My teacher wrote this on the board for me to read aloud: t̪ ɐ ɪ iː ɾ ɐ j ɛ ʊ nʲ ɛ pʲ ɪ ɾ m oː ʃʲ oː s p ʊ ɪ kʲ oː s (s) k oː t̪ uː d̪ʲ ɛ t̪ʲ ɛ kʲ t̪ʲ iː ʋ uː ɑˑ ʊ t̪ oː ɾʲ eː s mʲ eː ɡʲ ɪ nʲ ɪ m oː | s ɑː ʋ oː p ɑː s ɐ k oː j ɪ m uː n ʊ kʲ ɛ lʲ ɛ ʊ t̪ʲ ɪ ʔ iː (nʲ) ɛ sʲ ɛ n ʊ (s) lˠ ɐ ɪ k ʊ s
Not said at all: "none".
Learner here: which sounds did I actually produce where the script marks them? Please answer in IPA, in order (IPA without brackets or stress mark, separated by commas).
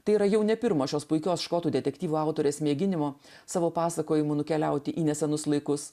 ʃ, nʲ, s